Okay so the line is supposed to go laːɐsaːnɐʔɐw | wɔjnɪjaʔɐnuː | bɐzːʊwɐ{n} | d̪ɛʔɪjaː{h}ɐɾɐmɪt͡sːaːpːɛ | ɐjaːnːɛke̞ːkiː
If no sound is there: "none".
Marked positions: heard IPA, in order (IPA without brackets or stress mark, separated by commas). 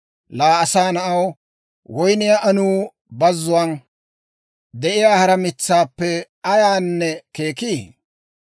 n, h